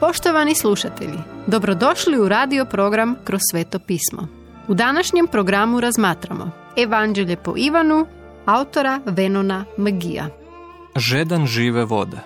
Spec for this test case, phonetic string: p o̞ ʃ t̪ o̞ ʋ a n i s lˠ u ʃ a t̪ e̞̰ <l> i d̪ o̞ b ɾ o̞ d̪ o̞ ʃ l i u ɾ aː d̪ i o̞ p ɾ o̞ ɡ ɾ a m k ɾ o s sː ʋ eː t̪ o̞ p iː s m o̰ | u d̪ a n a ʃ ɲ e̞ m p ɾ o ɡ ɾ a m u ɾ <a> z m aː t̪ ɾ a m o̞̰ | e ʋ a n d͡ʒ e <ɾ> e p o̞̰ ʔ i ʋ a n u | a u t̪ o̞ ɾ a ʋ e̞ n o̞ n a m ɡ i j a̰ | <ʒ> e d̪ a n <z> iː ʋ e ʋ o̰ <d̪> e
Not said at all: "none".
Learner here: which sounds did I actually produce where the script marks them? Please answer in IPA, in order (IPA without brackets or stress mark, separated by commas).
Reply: ʎ, a, ʎ, ʒ, ʒ, d̪